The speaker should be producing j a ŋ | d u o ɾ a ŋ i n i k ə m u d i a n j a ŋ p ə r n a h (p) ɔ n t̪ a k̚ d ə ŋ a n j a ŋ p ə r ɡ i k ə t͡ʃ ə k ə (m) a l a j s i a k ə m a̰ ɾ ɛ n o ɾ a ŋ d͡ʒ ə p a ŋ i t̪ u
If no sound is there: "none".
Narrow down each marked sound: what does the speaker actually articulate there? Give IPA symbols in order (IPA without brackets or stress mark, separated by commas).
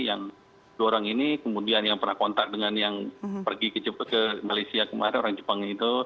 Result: k, m